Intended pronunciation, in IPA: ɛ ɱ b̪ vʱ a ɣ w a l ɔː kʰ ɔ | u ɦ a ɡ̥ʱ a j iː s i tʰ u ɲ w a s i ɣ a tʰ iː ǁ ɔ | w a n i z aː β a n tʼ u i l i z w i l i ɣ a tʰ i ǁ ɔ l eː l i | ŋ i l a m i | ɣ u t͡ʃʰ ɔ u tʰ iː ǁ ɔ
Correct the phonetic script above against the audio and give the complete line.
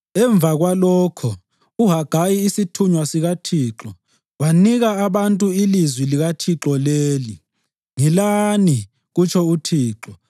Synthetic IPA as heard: ɛ ɱ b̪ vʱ a ɣ w a l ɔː kʰ ɔ | u ɦ a ɡ̥ʱ a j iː s i tʰ u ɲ w a s i ɣ a tʰ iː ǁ ɔ | w a n i ɣ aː β a n tʼ u i l i z w i l i ɣ a tʰ i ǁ ɔ l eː l i | ŋ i l a n i | ɣ u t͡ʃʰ ɔ u tʰ iː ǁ ɔ